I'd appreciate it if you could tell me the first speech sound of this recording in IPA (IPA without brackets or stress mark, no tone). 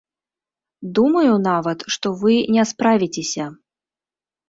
d̪